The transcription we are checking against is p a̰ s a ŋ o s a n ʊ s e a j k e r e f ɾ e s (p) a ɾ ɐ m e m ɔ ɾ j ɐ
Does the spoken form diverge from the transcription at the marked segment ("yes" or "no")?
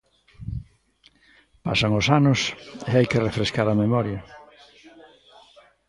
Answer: yes